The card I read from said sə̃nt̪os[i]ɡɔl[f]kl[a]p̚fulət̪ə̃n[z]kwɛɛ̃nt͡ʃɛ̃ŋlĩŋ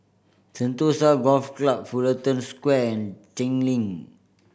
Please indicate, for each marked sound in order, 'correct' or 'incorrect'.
incorrect, correct, correct, incorrect

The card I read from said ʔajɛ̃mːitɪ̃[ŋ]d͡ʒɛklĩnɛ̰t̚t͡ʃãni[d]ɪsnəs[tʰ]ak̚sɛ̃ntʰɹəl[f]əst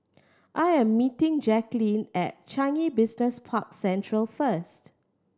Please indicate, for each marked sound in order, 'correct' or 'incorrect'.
correct, incorrect, incorrect, correct

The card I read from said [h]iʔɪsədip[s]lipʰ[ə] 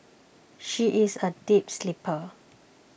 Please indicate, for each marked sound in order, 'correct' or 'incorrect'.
incorrect, correct, correct

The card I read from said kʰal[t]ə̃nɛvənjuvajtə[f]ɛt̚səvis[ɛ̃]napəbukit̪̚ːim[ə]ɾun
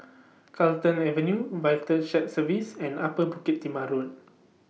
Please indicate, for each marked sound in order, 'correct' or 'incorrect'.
correct, incorrect, correct, incorrect

